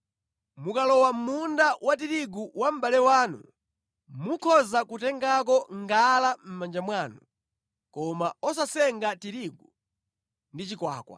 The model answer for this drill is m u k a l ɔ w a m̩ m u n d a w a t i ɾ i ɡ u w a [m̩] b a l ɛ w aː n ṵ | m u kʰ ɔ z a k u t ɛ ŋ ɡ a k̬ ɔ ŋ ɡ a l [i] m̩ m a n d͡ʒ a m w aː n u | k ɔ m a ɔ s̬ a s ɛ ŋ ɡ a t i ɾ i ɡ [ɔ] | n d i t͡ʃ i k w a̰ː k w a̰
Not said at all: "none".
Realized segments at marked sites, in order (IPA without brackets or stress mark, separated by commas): m̩, a, u